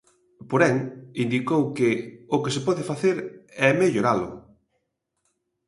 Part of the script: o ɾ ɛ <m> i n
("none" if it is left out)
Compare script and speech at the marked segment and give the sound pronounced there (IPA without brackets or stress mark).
ŋ